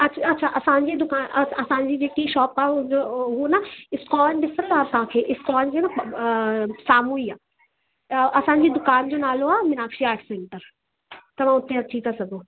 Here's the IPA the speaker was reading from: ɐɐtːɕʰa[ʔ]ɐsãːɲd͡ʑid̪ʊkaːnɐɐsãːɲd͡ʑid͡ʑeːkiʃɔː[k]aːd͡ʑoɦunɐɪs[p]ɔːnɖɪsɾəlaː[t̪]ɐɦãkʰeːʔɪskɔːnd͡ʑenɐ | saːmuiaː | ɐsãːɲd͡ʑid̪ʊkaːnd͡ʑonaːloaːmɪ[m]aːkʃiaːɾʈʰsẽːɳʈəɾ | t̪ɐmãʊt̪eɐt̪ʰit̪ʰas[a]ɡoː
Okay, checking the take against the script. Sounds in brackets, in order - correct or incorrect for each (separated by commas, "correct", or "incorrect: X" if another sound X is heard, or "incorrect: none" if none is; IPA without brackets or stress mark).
correct, incorrect: p, incorrect: k, correct, incorrect: n, incorrect: ɐ